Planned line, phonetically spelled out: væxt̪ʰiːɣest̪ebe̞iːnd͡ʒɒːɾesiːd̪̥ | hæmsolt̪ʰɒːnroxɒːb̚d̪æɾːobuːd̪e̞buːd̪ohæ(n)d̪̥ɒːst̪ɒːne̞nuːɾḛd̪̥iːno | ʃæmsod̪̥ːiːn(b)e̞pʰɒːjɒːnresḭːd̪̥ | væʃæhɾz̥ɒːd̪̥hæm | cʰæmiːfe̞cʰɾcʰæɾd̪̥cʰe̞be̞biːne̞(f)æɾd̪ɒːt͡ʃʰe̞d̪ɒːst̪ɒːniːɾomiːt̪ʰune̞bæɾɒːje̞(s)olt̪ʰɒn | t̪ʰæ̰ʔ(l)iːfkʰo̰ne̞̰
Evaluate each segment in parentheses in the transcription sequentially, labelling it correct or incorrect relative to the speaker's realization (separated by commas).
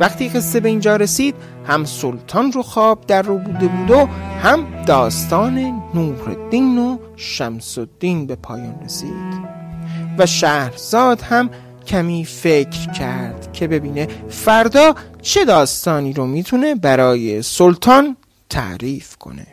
incorrect, correct, correct, correct, incorrect